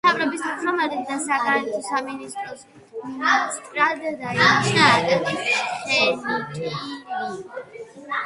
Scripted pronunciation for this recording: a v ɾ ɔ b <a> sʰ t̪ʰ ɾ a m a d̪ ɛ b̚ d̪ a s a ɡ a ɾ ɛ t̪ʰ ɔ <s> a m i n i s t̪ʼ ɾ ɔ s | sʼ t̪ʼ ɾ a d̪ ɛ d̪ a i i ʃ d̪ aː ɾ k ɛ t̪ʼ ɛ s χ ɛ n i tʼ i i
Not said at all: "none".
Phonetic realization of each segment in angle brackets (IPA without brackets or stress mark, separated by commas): i, s